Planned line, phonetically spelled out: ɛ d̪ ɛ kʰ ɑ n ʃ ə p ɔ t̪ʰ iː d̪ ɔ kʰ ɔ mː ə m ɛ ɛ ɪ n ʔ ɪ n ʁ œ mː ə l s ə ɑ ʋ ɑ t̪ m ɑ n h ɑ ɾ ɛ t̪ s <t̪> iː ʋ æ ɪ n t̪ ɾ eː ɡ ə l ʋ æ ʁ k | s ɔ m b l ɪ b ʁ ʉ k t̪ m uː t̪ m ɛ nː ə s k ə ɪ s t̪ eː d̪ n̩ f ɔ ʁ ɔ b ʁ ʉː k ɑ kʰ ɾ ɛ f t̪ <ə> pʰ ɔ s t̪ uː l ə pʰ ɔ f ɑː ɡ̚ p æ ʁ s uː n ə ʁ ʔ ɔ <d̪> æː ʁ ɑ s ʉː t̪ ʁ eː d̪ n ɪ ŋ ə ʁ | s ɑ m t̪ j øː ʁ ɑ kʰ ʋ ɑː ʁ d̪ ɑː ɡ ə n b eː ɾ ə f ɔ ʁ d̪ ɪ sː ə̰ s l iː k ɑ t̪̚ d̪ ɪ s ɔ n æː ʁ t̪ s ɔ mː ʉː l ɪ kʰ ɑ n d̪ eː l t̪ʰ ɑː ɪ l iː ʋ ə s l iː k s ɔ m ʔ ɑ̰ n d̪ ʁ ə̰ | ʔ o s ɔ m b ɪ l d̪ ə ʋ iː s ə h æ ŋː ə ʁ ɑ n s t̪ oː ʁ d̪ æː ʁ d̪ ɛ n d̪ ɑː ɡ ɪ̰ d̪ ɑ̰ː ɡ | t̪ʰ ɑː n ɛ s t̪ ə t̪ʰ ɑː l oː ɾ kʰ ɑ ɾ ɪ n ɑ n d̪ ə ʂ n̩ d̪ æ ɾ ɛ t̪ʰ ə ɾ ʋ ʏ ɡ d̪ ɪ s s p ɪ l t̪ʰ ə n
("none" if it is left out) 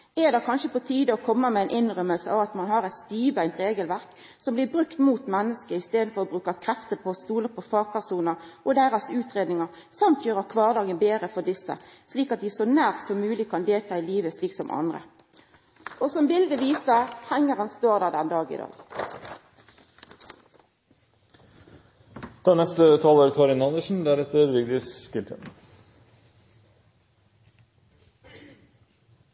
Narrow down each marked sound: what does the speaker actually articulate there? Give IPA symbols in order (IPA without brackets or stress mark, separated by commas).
t̪, ə, d̪